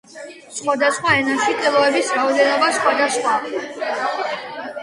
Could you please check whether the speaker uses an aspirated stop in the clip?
no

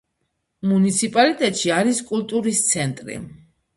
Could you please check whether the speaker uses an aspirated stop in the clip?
no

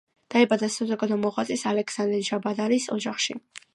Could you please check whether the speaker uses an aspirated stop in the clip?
no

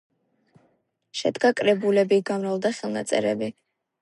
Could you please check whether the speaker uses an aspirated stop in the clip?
no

